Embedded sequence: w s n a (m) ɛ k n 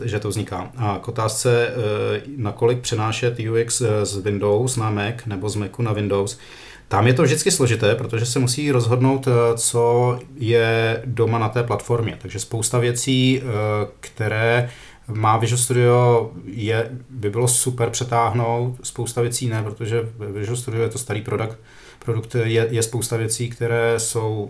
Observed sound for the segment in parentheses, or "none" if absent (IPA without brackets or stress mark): m